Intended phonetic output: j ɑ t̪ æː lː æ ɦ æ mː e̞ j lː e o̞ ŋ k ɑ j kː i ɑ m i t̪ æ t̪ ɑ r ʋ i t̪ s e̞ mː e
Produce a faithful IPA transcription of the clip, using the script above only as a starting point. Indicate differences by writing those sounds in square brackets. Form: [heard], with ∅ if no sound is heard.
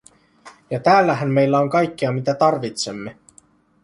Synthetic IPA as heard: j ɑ t̪ æː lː æ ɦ æ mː e̞ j lː [æ] o̞ ŋ k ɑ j kː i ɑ m i t̪ æ t̪ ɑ r ʋ i t̪ s e̞ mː e